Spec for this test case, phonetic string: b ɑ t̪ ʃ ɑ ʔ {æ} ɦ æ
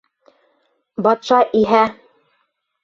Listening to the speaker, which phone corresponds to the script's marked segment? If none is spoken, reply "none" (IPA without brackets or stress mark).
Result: i